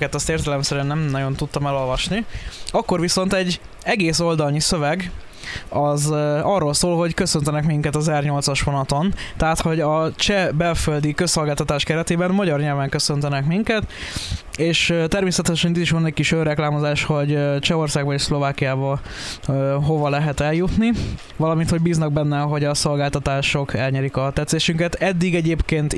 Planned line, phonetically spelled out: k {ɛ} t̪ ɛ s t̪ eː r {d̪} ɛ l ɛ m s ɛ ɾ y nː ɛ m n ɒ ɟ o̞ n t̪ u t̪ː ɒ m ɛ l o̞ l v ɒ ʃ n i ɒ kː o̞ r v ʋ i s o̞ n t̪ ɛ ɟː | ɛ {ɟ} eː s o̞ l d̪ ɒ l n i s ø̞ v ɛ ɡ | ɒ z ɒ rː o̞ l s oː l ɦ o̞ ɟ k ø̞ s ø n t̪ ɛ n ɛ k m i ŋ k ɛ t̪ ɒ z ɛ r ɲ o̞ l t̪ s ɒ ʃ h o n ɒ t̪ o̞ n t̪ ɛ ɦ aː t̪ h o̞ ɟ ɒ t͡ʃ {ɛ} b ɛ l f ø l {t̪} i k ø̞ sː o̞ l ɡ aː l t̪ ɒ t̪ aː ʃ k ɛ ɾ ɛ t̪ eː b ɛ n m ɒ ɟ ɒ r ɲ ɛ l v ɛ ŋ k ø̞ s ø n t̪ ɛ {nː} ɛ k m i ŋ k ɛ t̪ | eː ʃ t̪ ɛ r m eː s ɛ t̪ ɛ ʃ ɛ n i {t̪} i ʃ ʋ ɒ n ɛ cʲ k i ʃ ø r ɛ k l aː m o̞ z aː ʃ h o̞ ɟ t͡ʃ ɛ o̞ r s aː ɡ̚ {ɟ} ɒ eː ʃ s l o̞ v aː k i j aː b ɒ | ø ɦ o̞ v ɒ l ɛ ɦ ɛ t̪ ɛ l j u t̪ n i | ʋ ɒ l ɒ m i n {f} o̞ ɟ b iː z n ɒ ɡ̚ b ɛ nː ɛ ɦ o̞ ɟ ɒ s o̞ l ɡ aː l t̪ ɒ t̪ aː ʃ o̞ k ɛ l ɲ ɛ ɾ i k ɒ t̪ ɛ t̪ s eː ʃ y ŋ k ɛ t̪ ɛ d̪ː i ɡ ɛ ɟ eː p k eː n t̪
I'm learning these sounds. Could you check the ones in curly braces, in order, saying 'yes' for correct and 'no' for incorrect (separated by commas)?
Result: yes, no, no, yes, no, no, yes, no, no